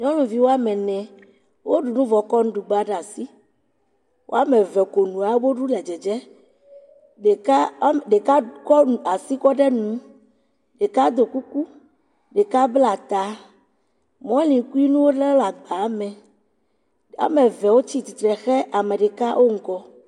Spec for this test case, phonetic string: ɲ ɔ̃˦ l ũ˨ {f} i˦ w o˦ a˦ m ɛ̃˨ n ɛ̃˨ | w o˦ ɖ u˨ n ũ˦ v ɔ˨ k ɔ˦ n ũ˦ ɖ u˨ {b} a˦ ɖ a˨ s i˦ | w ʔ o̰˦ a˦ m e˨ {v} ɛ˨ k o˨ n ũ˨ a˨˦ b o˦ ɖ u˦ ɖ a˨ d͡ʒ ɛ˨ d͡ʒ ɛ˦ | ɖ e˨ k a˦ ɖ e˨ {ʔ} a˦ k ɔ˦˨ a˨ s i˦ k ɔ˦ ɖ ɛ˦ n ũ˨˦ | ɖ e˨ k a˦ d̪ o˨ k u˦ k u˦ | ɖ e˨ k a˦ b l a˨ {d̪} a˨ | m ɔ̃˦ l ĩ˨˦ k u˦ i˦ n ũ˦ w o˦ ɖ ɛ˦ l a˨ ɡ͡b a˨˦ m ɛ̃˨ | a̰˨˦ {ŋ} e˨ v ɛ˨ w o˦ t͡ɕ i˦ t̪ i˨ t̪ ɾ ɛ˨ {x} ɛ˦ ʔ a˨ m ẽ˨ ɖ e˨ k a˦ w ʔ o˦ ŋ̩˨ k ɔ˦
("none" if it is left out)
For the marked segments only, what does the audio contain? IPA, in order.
v, ɡ͡b, v, k, t̪, m, x

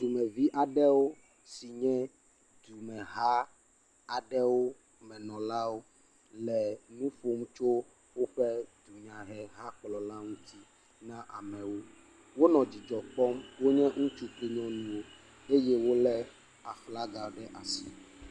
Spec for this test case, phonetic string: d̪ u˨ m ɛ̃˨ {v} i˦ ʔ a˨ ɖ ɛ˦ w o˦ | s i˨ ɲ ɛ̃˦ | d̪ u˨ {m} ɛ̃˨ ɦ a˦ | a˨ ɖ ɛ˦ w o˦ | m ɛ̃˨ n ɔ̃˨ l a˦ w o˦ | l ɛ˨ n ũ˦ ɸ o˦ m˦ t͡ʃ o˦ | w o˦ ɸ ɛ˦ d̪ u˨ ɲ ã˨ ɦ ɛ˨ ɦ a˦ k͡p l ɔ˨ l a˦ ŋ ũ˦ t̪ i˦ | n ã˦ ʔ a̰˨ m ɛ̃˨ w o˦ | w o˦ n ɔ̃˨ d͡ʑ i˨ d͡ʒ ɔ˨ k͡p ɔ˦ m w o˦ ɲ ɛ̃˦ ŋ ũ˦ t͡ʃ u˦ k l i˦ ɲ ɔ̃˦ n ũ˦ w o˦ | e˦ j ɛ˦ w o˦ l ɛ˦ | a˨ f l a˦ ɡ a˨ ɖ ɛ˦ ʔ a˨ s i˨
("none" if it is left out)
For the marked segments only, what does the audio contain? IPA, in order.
v, m

